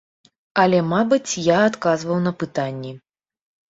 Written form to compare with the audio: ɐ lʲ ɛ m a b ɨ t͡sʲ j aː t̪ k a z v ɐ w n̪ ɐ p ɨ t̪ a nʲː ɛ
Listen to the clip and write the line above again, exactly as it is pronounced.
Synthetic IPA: ɐ lʲ ɛ m a b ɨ t͡sʲ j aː t̪ k a z v ɐ w n̪ ɐ p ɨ t̪ a nʲː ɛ